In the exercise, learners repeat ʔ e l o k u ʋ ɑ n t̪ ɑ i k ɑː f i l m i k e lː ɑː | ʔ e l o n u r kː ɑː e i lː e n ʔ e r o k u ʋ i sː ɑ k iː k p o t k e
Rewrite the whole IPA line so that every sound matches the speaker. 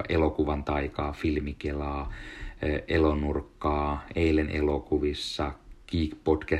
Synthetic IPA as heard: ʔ e l o k u ʋ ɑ n t̪ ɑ i k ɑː f i l m i k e l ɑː | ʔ e l o n u r kː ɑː e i l e n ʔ e l o k u ʋ i sː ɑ k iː k p o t k æ